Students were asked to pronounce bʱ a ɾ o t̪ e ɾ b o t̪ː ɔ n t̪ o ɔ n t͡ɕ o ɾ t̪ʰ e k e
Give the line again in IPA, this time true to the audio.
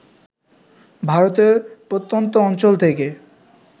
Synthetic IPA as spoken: bʱ a ɾ o t̪ e ɾ p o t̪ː o n t̪ o ɔ n t͡ɕ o l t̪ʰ e k e